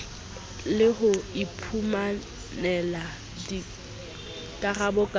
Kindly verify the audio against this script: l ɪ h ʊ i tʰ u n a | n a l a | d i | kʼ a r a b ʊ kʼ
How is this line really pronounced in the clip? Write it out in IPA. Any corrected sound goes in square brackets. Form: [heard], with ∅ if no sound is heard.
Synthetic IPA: l ɪ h ʊ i [pʰ] u [m] a | n [ɛ] l a | d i | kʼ a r a b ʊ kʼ